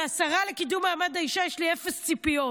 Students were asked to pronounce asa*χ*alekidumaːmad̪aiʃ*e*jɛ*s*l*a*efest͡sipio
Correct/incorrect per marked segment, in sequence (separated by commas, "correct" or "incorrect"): incorrect, incorrect, incorrect, incorrect